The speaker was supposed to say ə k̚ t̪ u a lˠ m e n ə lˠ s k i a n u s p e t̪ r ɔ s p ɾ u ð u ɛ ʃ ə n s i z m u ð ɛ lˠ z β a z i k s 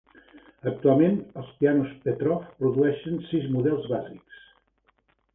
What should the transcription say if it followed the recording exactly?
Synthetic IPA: ə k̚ t̪ u a lˠ m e n ə lˠ s p i a n u s p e t̪ ɾ ɔ f p ɾ u ð u ɛ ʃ ə n s i z m u ð ɛ lˠ z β a z i k s